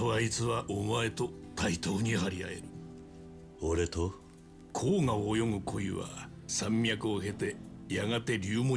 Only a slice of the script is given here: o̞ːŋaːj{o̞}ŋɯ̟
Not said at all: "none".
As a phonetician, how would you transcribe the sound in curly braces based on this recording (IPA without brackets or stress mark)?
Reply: o̞